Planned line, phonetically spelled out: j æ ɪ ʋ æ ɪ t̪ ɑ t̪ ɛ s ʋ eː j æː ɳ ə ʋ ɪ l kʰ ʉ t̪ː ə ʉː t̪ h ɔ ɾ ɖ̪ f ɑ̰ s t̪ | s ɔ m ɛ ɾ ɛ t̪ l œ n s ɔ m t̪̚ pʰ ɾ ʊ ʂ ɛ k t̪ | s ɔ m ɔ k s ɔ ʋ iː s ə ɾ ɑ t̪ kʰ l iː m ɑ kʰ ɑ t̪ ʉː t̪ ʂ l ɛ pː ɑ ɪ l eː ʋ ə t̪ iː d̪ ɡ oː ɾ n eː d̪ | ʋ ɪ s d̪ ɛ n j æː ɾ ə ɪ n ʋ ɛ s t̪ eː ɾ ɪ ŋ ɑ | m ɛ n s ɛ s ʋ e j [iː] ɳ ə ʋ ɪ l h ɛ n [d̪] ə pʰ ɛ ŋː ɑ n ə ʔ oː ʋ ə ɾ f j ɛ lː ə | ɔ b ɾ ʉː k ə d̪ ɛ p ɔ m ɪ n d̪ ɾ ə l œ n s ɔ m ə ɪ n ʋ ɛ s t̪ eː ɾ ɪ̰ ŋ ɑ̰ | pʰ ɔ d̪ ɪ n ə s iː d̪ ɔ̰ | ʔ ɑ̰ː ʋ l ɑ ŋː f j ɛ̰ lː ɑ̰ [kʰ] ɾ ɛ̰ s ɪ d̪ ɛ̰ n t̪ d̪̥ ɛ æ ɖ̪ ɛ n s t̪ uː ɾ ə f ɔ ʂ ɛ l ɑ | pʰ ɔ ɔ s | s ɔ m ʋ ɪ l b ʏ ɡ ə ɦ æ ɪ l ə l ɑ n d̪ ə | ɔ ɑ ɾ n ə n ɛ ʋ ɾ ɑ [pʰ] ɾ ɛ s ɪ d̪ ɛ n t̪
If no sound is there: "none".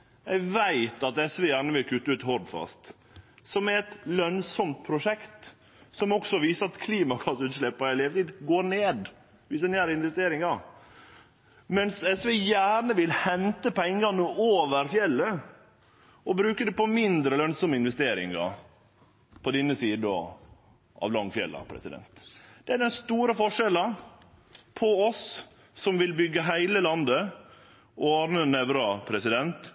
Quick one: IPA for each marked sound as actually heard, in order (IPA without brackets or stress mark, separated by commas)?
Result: æː, t̪, pʰ, pʰ